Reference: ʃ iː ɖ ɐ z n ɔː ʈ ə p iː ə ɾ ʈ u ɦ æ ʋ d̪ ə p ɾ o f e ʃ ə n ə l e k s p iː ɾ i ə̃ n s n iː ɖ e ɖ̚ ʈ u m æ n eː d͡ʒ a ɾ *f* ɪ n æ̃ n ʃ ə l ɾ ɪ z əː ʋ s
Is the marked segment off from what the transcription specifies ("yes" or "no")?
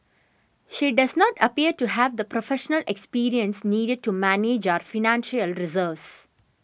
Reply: no